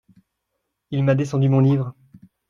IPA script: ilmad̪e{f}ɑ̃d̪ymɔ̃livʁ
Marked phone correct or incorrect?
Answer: incorrect